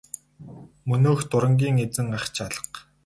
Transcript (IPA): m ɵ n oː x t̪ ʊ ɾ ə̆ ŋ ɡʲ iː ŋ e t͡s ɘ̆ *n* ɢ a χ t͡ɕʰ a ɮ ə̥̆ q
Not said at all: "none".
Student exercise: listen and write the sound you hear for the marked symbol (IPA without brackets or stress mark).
ŋ